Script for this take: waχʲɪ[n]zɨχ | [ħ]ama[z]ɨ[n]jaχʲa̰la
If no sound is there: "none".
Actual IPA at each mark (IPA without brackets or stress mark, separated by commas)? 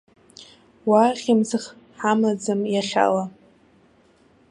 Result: m, ħ, d͡z, m